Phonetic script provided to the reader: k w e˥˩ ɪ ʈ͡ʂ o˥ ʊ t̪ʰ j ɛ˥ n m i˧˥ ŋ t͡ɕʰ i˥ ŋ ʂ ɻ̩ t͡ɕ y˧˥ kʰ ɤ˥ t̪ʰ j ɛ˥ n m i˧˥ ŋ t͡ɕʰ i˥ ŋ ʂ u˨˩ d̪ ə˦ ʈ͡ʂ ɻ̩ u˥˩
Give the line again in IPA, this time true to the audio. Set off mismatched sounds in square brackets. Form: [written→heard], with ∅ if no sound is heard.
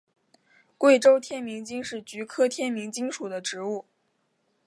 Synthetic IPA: k w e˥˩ ɪ ʈ͡ʂ o˥ ʊ t̪ʰ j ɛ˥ n m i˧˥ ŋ [t͡ɕʰ→t͡ɕ] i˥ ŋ ʂ ɻ̩ t͡ɕ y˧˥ kʰ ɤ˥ t̪ʰ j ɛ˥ n m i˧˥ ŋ [t͡ɕʰ→t͡ɕ] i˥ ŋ ʂ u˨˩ d̪ ə˦ ʈ͡ʂ ɻ̩ u˥˩